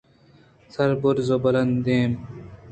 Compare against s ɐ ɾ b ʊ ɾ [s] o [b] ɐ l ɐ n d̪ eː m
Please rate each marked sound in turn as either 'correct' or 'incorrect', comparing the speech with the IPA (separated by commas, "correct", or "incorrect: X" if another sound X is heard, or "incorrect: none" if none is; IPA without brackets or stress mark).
incorrect: z, correct